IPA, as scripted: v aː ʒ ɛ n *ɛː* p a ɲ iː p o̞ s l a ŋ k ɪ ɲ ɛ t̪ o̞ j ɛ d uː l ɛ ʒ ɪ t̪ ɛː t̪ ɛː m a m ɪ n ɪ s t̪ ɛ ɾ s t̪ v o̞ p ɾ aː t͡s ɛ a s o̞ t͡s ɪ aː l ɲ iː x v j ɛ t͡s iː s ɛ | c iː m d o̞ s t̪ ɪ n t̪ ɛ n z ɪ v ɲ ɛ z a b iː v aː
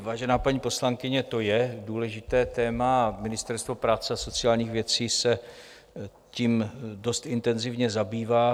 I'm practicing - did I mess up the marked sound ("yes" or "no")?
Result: yes